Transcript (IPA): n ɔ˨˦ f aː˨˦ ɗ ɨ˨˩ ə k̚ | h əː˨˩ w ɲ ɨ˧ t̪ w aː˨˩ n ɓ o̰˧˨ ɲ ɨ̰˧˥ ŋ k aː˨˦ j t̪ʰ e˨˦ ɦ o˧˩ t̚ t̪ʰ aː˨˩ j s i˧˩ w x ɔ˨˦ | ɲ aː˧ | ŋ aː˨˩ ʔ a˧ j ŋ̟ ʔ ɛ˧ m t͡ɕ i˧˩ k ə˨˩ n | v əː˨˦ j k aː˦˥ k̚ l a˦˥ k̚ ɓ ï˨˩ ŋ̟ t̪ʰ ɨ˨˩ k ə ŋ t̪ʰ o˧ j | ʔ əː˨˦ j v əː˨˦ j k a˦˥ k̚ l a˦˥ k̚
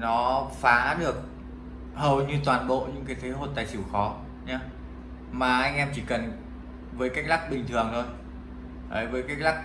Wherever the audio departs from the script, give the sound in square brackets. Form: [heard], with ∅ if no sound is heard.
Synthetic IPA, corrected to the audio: n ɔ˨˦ f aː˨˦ ɗ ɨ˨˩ ə k̚ | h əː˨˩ w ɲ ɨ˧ t̪ w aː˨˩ n ɓ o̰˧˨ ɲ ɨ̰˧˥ ŋ k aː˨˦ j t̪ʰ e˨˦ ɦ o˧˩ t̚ [t̪] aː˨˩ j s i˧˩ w x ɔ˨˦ | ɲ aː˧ | [m] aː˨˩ ʔ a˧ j ŋ̟ ʔ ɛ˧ m t͡ɕ i˧˩ k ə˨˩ n | v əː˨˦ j k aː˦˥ k̚ l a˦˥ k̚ ɓ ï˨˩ ŋ̟ t̪ʰ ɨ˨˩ [∅] ə ŋ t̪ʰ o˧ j | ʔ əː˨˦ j v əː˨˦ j k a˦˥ k̚ l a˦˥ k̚

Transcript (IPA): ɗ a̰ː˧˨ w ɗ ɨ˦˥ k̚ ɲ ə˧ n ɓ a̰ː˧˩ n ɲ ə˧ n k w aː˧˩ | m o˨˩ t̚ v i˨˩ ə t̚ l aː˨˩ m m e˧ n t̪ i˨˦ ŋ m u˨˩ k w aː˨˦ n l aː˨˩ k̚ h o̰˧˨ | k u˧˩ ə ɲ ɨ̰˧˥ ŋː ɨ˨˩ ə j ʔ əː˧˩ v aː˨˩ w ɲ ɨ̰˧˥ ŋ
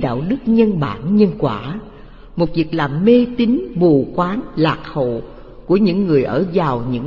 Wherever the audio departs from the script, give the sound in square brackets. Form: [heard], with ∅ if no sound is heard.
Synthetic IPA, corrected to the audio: ɗ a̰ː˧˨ w ɗ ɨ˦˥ k̚ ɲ ə˧ n ɓ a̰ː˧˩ n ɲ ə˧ n k w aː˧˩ | m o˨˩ t̚ v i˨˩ ə [k̚] l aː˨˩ m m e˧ [∅] t̪ i˨˦ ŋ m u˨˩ k w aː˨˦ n l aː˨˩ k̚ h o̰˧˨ | k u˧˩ ə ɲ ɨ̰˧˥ ŋː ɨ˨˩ ə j ʔ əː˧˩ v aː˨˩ w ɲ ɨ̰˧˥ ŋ

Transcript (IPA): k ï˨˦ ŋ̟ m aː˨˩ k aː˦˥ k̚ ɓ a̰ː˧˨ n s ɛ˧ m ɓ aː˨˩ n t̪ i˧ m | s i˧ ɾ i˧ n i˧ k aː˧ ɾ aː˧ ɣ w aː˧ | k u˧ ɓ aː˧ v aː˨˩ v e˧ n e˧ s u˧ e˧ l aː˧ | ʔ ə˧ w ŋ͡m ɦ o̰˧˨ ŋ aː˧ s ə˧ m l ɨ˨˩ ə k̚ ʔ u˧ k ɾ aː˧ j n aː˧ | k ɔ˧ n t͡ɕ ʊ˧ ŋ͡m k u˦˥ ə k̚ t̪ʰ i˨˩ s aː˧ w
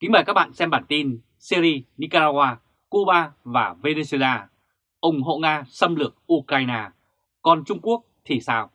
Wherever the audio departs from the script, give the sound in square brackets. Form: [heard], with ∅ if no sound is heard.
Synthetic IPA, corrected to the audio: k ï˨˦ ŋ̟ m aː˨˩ k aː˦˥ k̚ ɓ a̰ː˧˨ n s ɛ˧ m ɓ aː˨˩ n t̪ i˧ [n] | s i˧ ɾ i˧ n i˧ k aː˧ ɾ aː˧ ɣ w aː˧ | k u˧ ɓ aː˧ v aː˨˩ v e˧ n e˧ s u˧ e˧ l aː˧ | ʔ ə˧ w ŋ͡m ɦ o̰˧˨ ŋ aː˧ s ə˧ m l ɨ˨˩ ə k̚ ʔ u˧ k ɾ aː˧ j n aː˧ | k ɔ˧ n t͡ɕ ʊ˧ ŋ͡m k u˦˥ ə k̚ t̪ʰ i˨˩ s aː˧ w

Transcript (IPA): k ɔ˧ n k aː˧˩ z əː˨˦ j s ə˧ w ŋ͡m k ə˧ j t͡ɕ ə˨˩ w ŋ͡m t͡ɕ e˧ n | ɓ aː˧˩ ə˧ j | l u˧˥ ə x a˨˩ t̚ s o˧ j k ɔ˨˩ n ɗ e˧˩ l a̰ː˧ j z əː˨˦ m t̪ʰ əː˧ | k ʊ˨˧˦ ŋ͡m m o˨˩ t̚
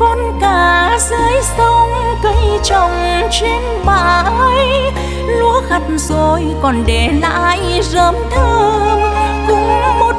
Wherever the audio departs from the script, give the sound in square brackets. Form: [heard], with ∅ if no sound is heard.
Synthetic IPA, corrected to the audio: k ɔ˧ n k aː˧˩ z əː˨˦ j s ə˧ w ŋ͡m k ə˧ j t͡ɕ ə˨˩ w ŋ͡m t͡ɕ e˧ n | ɓ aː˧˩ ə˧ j | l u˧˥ ə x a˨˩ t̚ [z] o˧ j k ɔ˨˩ n ɗ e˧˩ l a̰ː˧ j z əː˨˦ m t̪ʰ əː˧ | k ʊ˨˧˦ ŋ͡m m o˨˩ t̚

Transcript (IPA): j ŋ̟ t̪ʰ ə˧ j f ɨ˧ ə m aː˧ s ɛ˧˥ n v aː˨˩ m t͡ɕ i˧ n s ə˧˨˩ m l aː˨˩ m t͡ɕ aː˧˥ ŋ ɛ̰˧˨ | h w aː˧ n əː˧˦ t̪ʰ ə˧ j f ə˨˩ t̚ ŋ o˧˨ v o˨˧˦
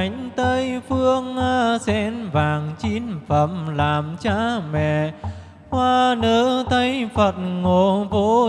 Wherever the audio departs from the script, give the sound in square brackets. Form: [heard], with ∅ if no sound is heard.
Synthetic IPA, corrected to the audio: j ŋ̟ [t̪] ə˧ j f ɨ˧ ə [ŋ] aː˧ s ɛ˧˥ n v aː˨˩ [ŋ] t͡ɕ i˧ n [f] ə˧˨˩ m l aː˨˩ m t͡ɕ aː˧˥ [m] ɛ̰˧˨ | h w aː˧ n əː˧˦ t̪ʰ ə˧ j f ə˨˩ t̚ ŋ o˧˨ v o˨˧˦

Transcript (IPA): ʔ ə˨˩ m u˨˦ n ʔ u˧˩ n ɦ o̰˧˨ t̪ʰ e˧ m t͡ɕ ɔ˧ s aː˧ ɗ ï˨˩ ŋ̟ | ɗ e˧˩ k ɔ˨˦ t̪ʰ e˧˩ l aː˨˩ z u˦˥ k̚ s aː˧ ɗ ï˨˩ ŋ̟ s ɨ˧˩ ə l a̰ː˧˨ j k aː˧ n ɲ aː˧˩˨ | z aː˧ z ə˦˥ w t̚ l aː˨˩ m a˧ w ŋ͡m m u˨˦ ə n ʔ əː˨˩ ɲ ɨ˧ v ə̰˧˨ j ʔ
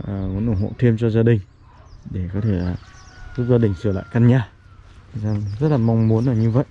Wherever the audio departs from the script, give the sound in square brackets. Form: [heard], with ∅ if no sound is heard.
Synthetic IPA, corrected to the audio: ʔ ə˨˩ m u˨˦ n ʔ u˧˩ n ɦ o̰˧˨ t̪ʰ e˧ m t͡ɕ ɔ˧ [z] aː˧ ɗ ï˨˩ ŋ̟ | ɗ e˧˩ k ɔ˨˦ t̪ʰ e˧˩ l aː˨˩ z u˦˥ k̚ [z] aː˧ ɗ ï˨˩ ŋ̟ s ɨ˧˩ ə l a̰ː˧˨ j k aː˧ n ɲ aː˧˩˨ | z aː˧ z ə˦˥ [∅] t̚ l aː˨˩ m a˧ w ŋ͡m m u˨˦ ə n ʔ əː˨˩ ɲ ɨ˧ v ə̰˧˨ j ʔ

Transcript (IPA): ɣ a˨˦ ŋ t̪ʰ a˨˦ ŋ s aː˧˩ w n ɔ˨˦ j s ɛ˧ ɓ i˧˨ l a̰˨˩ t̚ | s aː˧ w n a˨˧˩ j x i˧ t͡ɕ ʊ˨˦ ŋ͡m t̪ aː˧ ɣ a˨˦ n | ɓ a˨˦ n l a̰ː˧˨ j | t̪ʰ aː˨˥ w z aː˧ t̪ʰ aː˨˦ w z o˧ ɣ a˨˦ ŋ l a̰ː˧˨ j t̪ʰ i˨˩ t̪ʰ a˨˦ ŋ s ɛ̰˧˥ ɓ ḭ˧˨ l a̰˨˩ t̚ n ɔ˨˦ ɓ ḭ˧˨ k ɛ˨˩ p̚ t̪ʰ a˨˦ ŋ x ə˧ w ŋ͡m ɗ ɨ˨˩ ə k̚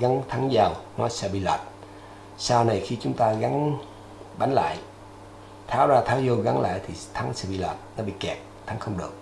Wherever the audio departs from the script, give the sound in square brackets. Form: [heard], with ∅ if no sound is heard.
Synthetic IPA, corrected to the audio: ɣ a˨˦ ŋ t̪ʰ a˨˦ ŋ [z] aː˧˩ w n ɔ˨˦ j s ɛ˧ ɓ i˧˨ l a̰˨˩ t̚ | s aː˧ w n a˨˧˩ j x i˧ t͡ɕ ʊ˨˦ ŋ͡m t̪ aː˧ ɣ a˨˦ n | ɓ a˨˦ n l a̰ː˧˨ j | t̪ʰ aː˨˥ w z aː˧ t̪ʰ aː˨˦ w z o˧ ɣ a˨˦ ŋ l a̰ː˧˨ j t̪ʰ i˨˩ t̪ʰ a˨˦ ŋ s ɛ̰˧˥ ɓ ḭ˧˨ l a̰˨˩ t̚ n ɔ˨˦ ɓ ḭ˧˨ k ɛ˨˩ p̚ t̪ʰ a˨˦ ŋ x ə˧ w ŋ͡m ɗ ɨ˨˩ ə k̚

